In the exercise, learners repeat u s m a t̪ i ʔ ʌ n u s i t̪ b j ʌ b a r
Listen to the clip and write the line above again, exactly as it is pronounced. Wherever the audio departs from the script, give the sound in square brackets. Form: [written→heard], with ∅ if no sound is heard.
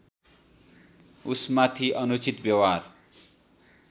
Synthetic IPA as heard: u s m a [t̪→t̪ʰ] i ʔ ʌ n u [s→t͡s] i t̪ b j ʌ [b→w] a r